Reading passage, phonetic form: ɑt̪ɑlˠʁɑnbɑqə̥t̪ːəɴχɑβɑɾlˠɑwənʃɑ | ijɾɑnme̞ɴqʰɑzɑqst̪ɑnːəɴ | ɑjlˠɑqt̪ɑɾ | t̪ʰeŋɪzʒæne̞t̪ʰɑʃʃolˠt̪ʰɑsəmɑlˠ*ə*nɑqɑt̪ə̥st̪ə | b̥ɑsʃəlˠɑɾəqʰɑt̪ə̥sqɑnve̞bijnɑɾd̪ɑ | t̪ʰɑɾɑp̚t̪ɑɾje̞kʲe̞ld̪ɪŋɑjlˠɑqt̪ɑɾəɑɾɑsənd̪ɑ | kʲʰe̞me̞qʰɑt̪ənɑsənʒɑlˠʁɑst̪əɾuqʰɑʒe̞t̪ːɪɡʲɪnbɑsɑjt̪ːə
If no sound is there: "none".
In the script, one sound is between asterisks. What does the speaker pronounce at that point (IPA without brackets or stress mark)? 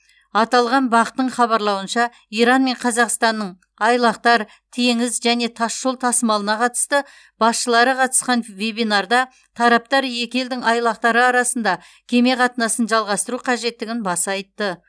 ə